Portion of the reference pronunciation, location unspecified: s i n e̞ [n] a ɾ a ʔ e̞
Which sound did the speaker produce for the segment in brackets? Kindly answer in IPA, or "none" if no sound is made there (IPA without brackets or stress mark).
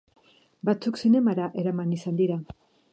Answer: m